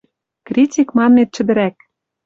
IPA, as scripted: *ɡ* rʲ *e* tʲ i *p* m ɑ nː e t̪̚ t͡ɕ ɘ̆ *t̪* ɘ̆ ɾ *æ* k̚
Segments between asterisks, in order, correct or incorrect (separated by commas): incorrect, incorrect, incorrect, incorrect, correct